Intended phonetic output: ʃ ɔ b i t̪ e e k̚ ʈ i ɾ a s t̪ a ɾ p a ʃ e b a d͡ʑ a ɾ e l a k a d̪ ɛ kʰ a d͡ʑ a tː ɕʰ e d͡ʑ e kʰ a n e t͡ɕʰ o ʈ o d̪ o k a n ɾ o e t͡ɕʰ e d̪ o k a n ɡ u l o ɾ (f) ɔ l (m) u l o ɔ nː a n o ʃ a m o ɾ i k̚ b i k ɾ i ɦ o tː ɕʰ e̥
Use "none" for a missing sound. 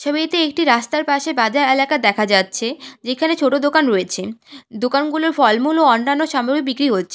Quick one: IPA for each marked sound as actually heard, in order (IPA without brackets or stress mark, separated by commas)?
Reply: f, m